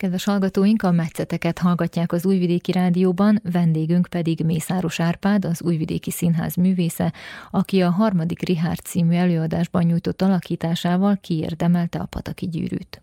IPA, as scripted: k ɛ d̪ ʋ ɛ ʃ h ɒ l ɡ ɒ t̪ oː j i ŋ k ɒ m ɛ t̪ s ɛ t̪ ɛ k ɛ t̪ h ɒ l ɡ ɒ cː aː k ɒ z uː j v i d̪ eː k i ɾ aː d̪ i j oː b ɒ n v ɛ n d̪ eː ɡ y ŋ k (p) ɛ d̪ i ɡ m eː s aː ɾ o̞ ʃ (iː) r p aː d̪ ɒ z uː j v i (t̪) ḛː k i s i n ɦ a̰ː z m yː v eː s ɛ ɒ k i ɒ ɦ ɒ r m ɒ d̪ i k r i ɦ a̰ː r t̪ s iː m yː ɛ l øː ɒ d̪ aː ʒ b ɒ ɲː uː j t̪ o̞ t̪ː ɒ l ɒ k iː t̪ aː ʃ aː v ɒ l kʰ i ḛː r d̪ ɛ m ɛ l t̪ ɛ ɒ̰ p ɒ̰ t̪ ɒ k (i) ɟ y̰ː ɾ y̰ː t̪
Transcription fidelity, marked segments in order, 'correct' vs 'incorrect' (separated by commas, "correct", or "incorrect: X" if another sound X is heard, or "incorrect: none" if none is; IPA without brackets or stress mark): correct, incorrect: aː, incorrect: d̪, correct